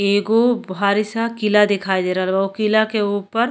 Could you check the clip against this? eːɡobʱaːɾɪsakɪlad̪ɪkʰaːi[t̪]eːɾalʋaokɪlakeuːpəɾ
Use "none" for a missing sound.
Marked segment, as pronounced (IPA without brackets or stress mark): d̪